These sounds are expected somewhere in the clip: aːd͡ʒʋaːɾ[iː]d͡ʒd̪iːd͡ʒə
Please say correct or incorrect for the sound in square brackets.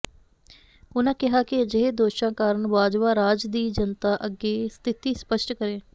incorrect